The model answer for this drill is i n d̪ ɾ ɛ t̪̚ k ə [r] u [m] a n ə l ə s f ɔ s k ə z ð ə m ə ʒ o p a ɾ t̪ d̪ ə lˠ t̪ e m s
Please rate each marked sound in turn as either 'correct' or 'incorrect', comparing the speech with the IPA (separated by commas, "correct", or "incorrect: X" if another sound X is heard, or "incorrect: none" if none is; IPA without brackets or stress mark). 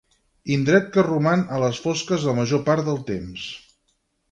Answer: correct, correct